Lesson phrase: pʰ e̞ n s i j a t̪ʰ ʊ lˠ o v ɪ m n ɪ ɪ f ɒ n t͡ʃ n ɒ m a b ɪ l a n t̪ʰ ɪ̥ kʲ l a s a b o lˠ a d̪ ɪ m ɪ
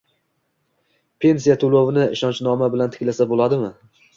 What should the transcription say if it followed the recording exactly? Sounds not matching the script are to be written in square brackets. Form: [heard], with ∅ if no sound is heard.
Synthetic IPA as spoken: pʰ e̞ n s i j a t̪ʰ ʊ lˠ o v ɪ [∅] n ɪ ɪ [ʃ] ɒ n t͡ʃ n ɒ m a b ɪ l a n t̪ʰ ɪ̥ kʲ l a s a b o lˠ a d̪ ɪ m ɪ